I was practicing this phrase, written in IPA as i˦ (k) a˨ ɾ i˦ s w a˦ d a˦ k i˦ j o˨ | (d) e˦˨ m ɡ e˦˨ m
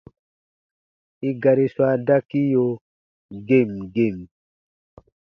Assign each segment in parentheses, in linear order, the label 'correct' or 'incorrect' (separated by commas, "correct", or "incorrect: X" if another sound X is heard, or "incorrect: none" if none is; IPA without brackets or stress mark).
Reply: incorrect: ɡ, incorrect: ɡ